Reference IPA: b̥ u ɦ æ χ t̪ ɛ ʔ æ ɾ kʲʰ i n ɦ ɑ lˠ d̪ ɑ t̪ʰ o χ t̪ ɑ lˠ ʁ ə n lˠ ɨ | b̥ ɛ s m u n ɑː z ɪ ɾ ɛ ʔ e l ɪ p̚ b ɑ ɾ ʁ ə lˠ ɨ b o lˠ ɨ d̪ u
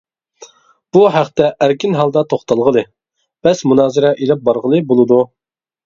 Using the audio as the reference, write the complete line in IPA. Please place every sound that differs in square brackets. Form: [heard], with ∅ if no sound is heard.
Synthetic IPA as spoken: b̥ u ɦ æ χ t̪ ɛ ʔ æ ɾ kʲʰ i n ɦ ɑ lˠ d̪ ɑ t̪ʰ o χ t̪ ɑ lˠ ʁ ə [∅] lˠ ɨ | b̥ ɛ s m u n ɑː z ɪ ɾ ɛ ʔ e l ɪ p̚ b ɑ ɾ ʁ ə lˠ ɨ b o lˠ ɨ d̪ u